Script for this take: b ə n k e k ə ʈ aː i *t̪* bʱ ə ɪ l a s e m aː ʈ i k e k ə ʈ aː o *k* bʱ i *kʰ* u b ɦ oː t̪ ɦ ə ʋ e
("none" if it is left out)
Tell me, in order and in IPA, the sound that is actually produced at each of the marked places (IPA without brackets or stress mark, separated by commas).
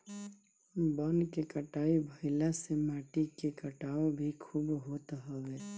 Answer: none, none, kʰ